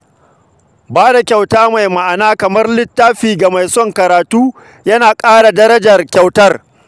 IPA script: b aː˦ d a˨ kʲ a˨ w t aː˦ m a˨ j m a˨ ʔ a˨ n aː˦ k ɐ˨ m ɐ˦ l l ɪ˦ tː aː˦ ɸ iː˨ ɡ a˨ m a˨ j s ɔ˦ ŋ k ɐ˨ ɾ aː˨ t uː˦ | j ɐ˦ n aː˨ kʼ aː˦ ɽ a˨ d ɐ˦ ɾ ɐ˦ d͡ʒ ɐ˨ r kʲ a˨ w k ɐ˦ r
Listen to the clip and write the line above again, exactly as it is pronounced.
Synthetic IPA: b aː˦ d a˨ kʲ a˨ w t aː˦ m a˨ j m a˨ ʔ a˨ n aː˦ k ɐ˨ m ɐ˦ r l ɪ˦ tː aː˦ ɸ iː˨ ɡ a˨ m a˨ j s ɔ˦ ŋ k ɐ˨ ɾ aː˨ t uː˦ | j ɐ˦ n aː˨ kʼ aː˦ ɽ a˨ d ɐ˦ ɾ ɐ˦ d͡ʒ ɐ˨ r kʲ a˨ w t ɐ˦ r